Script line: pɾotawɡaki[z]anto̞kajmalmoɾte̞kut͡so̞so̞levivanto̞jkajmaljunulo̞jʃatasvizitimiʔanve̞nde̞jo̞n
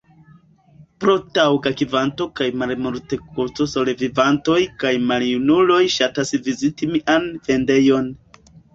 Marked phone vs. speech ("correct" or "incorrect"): incorrect